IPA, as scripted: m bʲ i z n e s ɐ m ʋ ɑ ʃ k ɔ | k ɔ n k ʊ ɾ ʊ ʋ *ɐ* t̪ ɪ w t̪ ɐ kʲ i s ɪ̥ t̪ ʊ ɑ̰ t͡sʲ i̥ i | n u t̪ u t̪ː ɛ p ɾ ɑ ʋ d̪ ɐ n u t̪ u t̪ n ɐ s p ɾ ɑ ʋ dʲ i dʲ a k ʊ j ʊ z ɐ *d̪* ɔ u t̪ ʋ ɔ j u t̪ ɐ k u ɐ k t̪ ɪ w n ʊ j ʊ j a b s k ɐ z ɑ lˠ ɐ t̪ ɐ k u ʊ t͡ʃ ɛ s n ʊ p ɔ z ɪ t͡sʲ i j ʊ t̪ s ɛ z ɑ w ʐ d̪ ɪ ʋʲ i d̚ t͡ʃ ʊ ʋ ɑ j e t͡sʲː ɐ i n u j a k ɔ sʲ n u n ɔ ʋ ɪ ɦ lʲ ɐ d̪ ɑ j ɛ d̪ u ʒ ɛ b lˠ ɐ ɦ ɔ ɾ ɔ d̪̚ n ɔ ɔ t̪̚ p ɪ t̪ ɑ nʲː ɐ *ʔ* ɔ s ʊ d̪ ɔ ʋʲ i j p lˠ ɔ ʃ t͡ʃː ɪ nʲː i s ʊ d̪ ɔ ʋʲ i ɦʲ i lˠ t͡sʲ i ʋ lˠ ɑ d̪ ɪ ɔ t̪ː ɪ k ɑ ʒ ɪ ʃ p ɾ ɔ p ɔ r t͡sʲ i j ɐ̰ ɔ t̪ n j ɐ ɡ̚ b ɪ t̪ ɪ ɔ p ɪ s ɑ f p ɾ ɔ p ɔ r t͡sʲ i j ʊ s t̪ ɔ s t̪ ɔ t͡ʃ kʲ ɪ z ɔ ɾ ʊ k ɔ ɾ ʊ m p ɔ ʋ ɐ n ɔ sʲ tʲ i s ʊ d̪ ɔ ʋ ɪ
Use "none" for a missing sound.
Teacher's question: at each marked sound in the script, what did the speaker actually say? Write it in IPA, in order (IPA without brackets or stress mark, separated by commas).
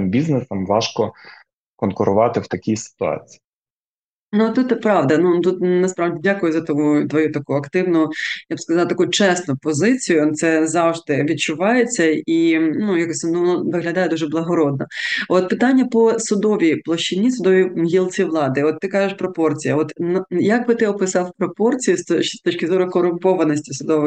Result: ɑ, t̪, p